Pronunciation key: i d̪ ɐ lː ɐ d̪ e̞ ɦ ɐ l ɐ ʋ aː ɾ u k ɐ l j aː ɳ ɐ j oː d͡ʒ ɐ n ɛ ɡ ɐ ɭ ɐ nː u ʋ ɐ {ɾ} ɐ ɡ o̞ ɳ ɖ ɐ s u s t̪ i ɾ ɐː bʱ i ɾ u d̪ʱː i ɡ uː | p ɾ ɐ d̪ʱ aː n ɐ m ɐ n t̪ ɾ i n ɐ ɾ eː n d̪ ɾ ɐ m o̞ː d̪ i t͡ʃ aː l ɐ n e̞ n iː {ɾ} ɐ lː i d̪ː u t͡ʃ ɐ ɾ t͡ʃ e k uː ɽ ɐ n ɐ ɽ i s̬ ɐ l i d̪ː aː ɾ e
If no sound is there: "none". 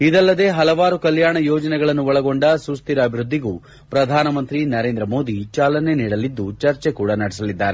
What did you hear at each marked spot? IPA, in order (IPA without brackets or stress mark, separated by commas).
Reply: ɭ, ɽ